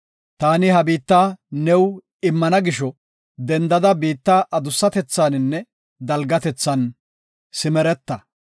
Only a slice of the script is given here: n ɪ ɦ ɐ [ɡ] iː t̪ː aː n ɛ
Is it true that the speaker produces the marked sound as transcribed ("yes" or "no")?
no